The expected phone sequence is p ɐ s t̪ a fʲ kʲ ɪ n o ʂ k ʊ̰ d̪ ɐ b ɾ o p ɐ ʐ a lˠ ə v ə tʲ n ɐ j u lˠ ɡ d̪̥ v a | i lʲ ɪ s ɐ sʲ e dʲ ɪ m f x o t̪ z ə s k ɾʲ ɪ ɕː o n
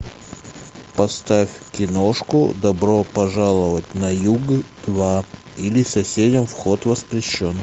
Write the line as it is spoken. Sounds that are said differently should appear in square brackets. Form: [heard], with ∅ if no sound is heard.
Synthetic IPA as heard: p ɐ s t̪ a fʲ kʲ ɪ n o ʂ k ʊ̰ d̪ ɐ b ɾ o p ɐ ʐ a lˠ ə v ə tʲ n ɐ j u [∅] ɡ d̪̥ v a | i lʲ ɪ s ɐ sʲ e dʲ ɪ m f x o t̪ [v] ə s [p] ɾʲ ɪ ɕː o n